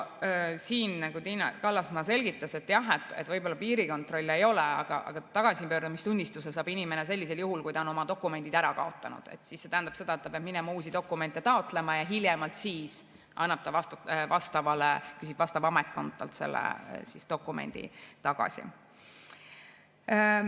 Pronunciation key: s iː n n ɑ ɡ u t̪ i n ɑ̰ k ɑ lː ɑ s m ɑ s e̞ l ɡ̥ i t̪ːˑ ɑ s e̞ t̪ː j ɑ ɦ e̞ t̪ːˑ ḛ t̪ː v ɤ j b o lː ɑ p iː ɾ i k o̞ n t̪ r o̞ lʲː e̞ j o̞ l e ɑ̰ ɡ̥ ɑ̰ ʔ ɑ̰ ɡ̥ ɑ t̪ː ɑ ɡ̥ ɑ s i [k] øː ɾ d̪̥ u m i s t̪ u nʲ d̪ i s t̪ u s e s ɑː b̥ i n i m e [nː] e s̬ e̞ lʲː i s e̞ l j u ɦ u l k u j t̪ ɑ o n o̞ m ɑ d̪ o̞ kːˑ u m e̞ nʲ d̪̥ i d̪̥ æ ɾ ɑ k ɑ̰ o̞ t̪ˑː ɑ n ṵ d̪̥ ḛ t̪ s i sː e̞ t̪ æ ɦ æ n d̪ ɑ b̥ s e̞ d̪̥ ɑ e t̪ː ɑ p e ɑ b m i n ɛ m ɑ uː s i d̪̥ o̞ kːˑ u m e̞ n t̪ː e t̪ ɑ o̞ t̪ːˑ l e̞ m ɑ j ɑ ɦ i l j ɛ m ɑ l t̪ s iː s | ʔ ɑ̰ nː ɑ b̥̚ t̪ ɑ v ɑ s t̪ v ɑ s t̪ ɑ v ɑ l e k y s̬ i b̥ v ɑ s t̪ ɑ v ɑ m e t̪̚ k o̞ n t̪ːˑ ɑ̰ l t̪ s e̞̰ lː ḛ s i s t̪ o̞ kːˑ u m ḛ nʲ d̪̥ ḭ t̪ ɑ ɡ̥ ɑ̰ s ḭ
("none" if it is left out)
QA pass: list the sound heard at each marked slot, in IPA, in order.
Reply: p, n

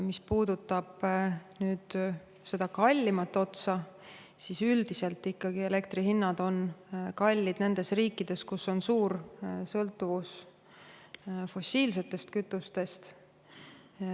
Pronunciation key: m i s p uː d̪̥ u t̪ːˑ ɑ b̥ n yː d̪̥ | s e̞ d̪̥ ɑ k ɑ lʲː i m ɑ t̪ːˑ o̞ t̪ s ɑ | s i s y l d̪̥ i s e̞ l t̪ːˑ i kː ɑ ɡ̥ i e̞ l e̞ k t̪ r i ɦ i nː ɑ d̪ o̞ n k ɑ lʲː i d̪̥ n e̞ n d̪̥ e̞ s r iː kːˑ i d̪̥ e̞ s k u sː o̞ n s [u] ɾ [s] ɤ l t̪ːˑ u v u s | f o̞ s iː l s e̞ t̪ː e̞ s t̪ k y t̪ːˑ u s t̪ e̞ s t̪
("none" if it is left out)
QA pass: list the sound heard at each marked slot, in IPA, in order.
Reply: uː, s

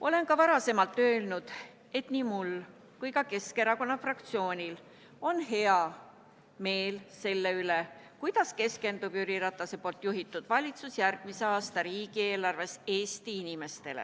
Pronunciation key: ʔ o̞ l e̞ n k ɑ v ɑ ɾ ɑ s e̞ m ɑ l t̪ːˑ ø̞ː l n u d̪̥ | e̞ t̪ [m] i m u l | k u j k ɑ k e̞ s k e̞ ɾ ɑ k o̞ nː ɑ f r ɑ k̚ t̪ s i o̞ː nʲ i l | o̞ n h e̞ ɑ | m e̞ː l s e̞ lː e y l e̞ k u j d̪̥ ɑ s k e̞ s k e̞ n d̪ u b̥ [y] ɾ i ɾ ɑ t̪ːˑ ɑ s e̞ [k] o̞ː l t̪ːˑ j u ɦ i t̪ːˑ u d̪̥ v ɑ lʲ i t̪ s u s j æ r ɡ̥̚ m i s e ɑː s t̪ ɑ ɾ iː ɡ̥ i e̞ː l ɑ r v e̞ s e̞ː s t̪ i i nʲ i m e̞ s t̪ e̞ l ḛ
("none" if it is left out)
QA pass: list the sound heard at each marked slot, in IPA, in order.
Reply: n, y, p

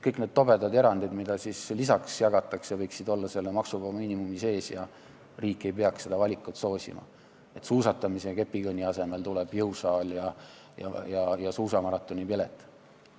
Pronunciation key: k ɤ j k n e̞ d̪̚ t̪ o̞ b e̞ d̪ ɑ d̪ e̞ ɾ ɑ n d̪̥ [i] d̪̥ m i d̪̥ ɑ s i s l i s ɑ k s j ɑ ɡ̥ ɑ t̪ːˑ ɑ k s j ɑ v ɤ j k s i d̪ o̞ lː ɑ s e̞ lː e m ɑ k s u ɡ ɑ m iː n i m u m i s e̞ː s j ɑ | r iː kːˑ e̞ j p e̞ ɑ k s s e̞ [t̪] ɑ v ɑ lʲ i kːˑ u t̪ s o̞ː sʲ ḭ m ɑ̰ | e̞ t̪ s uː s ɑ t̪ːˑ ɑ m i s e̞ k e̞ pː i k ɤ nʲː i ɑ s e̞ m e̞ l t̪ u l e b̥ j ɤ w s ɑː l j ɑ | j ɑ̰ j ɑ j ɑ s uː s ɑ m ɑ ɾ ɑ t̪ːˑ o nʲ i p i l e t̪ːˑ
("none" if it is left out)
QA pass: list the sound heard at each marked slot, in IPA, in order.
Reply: i, d̪

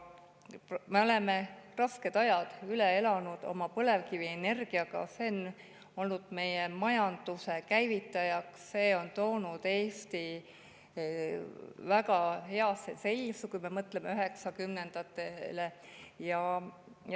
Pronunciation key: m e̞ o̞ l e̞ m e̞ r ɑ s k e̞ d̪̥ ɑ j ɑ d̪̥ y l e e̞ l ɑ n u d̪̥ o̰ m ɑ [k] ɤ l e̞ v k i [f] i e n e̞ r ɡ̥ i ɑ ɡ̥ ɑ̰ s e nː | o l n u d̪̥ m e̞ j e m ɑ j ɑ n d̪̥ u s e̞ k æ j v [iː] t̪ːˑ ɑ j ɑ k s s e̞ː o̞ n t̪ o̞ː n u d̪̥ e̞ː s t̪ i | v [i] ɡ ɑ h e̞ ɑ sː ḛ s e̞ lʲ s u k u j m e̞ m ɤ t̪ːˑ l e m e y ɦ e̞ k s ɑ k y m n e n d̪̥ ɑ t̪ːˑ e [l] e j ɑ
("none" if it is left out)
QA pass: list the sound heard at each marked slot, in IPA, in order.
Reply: p, v, i, æ, l

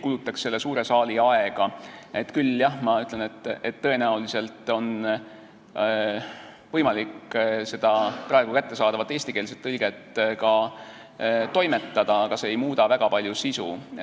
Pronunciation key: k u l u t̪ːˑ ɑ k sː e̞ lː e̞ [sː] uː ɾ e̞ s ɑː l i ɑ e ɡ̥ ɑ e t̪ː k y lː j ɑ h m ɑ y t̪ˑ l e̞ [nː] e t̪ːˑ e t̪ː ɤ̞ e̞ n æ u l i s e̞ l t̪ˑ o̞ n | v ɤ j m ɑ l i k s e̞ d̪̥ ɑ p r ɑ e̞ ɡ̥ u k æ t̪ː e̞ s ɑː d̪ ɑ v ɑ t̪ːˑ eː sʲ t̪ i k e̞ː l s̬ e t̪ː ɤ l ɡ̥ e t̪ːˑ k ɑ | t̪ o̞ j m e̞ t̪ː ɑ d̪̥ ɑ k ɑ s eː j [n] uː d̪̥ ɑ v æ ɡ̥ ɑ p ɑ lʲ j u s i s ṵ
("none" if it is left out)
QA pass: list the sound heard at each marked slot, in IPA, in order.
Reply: s, n, m

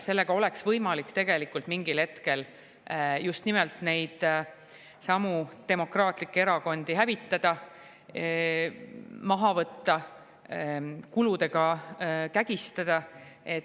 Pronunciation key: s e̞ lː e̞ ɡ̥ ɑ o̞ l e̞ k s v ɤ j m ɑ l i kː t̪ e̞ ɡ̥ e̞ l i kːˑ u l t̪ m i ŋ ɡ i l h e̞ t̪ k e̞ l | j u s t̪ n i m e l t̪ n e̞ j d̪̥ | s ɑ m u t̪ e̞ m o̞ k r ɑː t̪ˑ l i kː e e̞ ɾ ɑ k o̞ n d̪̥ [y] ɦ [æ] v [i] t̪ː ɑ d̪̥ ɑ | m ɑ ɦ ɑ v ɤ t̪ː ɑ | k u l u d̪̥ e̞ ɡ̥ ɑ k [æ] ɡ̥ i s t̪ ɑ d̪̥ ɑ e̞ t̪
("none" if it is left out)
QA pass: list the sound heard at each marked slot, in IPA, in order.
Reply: i, æ, i, æ

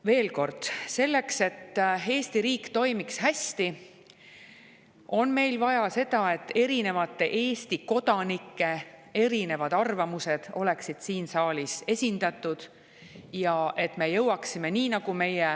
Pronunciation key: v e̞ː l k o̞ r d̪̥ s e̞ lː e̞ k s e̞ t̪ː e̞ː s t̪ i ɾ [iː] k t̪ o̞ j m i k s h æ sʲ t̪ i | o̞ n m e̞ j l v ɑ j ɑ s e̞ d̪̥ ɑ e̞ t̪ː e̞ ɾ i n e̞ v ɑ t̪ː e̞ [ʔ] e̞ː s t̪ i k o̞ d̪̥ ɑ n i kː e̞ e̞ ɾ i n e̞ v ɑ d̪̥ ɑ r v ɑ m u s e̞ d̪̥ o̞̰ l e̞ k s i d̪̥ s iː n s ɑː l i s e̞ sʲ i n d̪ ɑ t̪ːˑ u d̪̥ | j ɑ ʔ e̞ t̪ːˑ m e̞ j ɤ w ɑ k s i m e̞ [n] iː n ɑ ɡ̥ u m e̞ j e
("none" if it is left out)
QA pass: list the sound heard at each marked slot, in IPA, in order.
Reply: iː, ʔ, n

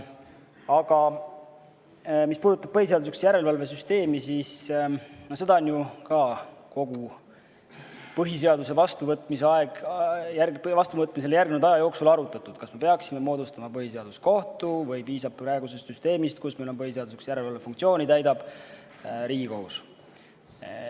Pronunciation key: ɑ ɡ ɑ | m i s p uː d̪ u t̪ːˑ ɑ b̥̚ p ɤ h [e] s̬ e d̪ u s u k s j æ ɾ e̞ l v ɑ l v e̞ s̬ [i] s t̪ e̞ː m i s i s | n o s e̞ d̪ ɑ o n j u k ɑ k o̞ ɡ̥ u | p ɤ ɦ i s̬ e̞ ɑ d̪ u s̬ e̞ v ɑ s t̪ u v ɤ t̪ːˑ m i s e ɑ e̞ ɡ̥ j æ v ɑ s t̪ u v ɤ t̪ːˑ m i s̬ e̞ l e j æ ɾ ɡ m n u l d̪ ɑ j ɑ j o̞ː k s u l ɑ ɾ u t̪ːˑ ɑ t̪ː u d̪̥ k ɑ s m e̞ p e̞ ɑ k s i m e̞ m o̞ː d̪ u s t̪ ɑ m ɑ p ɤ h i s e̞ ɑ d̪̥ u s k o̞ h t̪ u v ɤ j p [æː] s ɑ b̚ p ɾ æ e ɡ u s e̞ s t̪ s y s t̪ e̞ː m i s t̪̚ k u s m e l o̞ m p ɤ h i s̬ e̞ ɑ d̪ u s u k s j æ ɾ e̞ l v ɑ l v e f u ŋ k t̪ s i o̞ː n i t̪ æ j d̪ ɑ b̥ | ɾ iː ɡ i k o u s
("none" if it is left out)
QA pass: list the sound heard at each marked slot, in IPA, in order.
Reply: i, y, iː

